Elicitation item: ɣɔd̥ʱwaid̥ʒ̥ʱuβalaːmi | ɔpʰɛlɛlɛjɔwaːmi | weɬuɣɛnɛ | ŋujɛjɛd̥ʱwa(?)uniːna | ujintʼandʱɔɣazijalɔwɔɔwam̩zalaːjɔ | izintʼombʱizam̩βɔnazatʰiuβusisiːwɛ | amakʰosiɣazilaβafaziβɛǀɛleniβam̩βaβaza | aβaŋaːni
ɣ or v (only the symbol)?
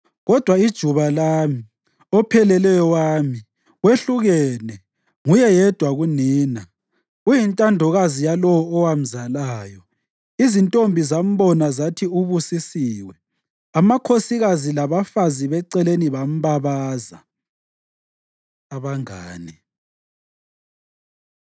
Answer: ɣ